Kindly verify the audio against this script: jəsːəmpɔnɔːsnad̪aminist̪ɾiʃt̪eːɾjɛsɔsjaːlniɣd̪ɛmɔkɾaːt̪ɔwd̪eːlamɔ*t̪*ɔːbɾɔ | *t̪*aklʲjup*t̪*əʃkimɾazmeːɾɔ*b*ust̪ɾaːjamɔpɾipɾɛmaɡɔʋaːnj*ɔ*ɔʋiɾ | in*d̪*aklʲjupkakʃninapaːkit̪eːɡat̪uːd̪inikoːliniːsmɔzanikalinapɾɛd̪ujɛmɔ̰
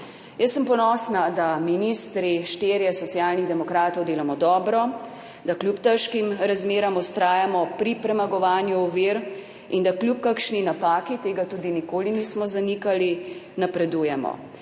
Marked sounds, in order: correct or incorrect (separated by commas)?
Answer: incorrect, incorrect, correct, incorrect, incorrect, correct